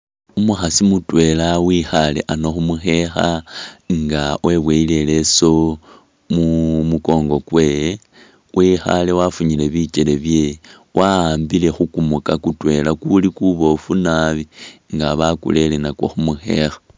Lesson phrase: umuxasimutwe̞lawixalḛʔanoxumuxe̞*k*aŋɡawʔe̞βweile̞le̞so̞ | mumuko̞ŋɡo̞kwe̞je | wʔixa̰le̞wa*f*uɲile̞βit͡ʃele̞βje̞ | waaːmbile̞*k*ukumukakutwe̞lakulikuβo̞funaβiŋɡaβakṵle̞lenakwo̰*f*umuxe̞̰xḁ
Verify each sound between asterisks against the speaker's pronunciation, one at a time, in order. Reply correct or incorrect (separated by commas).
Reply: incorrect, correct, incorrect, incorrect